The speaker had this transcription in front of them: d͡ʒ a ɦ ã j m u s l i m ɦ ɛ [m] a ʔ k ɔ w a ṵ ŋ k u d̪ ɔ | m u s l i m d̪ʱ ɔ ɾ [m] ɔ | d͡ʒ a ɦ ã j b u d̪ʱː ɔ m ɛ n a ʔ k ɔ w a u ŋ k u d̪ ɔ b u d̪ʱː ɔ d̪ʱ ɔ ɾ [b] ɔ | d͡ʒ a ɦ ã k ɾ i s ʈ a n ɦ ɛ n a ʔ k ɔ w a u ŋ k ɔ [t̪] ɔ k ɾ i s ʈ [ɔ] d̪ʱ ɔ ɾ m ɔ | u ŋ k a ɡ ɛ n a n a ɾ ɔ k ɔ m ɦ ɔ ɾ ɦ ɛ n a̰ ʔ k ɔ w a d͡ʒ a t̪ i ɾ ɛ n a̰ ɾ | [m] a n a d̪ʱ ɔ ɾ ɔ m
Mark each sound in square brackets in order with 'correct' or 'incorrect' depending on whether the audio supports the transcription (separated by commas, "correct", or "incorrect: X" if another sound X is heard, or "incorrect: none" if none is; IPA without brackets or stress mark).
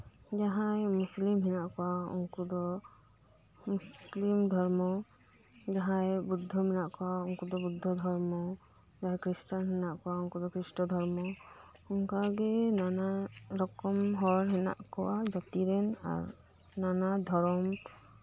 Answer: incorrect: n, correct, incorrect: m, incorrect: d̪, correct, incorrect: n